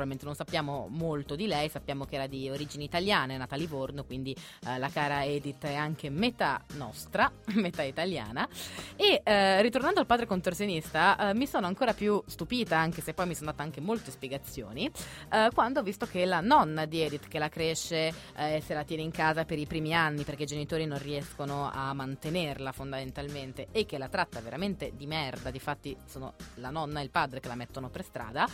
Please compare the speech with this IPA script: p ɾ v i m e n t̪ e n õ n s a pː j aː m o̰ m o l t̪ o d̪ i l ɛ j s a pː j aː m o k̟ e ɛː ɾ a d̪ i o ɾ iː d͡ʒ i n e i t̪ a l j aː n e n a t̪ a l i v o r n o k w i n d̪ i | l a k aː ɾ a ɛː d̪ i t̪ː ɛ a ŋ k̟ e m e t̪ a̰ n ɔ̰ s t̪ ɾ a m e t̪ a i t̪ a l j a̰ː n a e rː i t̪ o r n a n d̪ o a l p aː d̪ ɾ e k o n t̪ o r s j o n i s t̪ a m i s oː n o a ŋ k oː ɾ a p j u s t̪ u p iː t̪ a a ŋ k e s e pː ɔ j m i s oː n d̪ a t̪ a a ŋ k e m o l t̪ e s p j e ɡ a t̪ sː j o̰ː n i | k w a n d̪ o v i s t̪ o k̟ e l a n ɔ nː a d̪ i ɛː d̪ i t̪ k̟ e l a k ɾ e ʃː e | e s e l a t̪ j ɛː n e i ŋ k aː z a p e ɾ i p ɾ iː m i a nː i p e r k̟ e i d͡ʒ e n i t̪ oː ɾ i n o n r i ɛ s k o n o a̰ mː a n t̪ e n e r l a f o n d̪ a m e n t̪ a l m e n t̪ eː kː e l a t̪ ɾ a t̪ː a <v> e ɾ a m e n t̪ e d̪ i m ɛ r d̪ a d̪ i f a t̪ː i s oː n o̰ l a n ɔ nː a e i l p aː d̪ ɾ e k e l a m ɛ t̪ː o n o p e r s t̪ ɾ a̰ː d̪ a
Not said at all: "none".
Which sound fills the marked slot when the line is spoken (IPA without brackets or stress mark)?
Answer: v